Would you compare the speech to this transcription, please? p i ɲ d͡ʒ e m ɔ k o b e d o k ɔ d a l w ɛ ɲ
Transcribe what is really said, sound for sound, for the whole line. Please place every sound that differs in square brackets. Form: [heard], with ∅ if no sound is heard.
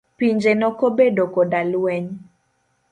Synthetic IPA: p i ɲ d͡ʒ e [n] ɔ k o b e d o k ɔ d a l w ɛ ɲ